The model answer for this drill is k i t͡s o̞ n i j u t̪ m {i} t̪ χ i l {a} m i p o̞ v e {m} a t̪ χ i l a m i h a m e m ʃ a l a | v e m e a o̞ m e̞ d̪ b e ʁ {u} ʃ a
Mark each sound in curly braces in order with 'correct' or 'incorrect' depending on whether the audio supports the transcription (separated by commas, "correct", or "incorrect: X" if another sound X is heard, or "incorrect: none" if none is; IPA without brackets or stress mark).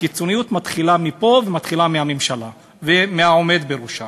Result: incorrect: a, correct, correct, correct